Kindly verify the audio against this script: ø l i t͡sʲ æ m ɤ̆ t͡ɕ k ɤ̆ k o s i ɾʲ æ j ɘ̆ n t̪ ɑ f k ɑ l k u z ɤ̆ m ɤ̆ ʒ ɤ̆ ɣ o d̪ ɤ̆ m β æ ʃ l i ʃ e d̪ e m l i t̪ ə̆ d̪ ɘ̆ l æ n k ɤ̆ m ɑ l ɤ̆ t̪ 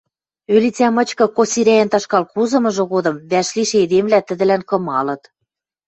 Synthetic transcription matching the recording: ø l i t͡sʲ æ m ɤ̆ t͡ɕ k ɤ̆ k o s i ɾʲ æ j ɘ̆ n t̪ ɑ ʃ k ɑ l k u z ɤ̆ m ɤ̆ ʒ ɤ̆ ɣ o d̪ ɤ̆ m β æ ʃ l i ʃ e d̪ e m l æ t̪ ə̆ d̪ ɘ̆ l æ n k ɤ̆ m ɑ l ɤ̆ t̪